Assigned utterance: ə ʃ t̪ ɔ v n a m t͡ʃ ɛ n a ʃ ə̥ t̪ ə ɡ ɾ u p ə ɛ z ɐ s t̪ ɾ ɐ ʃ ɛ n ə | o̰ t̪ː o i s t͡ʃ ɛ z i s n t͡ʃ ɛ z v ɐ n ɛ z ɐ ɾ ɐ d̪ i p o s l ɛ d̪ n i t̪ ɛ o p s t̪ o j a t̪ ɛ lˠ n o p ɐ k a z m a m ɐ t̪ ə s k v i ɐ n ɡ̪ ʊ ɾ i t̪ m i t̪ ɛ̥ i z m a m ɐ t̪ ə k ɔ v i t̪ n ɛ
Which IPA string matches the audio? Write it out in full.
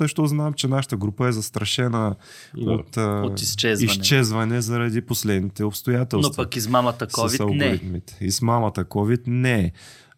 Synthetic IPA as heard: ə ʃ t̪ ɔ z n a m t͡ʃ ɛ n a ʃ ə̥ t̪ ə ɡ ɾ u p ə ɛ z ɐ s t̪ ɾ ɐ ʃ ɛ n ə | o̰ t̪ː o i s t͡ʃ ɛ z i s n t͡ʃ ɛ z v ɐ n ɛ z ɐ ɾ ɐ d̪ i p o s l ɛ d̪ n i t̪ ɛ o p s t̪ o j a t̪ ɛ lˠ n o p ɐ k i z m a m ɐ t̪ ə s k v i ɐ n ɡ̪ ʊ ɾ i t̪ m i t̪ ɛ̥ i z m a m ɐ t̪ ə k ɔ v i t̪ n ɛ